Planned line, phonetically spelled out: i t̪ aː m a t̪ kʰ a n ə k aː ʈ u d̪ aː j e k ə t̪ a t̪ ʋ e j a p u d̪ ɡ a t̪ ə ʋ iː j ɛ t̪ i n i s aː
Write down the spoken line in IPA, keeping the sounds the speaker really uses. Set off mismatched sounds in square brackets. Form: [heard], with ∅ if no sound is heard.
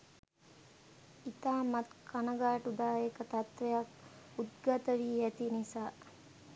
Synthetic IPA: i t̪ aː m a t̪ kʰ a n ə [ɡ] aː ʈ u d̪ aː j e k ə t̪ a t̪ ʋ e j a [k] u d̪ ɡ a t̪ ə ʋ iː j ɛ t̪ i n i s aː